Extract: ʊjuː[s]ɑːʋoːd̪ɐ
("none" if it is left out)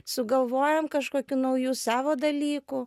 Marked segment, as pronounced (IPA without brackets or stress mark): s